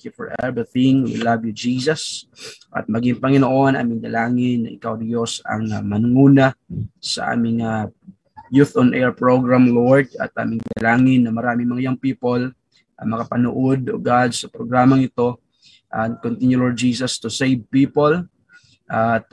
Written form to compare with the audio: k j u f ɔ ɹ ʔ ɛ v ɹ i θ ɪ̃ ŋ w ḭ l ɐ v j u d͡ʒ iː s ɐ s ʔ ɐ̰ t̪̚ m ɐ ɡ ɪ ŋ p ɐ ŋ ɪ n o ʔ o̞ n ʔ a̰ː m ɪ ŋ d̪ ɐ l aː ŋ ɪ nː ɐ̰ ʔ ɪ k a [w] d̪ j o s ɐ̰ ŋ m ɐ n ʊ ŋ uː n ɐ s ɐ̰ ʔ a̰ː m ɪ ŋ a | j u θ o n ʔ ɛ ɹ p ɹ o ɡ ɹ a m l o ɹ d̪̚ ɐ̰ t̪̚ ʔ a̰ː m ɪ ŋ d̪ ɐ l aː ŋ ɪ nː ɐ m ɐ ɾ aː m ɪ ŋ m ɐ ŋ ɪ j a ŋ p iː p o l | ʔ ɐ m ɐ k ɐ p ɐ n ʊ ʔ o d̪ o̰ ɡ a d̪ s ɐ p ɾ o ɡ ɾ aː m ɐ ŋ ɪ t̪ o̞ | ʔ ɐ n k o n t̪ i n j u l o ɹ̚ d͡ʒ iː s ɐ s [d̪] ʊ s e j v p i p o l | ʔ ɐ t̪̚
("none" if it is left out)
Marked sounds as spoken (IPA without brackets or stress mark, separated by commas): w, t̪